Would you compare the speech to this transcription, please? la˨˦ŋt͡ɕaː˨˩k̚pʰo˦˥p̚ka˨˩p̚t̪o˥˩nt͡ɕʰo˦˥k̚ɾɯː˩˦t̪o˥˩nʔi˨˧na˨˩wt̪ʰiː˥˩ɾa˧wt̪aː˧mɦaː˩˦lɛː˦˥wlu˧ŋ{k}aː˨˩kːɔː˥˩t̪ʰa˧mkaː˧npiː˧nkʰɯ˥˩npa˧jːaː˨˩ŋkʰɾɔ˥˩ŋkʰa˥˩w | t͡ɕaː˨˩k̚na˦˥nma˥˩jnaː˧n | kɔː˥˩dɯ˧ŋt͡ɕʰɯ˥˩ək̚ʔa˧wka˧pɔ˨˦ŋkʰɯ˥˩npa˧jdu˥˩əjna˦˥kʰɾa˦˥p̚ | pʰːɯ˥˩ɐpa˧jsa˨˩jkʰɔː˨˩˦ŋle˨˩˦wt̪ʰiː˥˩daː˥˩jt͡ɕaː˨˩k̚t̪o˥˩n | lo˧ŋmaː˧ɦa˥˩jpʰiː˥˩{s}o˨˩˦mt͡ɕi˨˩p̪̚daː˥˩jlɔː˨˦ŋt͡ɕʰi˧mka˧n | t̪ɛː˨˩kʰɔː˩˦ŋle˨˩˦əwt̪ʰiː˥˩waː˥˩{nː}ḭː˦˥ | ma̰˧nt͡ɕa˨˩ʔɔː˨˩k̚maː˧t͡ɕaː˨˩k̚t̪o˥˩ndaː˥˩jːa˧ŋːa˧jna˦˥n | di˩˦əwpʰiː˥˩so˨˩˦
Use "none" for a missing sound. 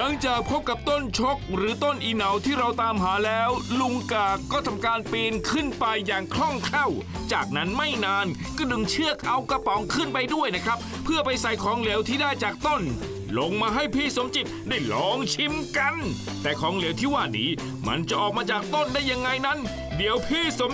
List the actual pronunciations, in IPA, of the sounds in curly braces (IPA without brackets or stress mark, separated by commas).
k, s, n